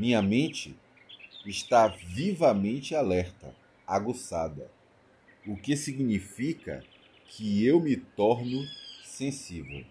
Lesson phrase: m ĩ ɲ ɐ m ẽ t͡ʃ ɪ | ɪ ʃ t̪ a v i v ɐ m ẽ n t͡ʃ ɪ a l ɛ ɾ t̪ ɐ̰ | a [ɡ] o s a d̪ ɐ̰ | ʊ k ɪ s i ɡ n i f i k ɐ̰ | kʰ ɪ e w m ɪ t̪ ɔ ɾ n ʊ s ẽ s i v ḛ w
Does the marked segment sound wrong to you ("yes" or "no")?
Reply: no